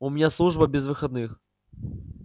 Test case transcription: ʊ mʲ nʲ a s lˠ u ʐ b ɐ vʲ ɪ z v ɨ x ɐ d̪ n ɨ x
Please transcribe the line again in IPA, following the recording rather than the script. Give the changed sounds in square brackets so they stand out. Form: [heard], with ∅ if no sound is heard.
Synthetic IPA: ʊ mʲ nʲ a s lˠ u ʐ b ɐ [bʲ] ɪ z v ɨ x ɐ d̪ n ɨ x